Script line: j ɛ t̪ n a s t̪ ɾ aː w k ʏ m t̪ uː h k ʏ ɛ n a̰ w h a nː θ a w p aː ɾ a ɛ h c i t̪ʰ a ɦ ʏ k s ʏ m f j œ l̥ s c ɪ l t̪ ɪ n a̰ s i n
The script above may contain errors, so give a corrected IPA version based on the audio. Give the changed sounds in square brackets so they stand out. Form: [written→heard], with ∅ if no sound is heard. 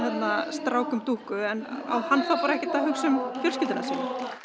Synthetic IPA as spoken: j ɛ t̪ n a s t̪ ɾ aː w k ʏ m t̪ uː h k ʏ ɛ n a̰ w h a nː θ a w p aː ɾ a ɛ h c [i→ɪ] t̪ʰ a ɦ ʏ k s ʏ m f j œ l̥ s c ɪ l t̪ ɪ n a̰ s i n